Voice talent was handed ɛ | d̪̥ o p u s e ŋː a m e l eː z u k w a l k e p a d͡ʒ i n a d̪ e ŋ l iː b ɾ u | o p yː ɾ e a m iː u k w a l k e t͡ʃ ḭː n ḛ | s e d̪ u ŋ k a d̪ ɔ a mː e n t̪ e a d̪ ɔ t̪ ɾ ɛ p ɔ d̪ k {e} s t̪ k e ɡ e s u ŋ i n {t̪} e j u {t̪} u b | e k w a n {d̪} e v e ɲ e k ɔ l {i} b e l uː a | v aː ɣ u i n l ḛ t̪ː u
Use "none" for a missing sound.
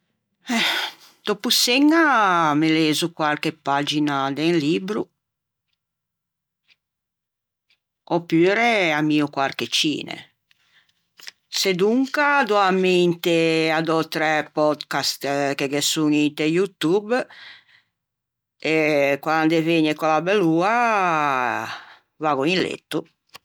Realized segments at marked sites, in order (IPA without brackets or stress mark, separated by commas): a, t̪, t̪, d̪, a